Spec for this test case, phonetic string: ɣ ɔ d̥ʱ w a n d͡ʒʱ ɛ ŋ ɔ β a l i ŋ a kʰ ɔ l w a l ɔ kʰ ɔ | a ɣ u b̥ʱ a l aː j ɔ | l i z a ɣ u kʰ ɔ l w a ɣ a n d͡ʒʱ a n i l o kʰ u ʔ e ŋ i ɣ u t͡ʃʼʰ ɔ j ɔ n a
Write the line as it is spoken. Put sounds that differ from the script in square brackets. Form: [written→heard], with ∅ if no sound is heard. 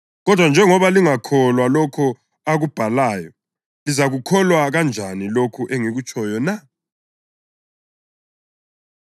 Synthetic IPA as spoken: ɣ ɔ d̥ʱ w a n d͡ʒʱ ɛ ŋ ɔ β a l i ŋ a kʰ ɔ l w a l ɔ kʰ ɔ | a ɣ u b̥ʱ a l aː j ɔ | l i z a ɣ u kʰ ɔ l w a ɣ a n d͡ʒʱ a n i l o kʰ u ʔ e ŋ i ɣ u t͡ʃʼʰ ɔ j ɔ n a